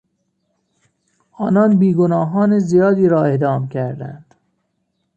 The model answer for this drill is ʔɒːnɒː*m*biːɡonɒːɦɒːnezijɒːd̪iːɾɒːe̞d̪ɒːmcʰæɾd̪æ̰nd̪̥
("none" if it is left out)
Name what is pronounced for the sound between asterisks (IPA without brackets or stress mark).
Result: n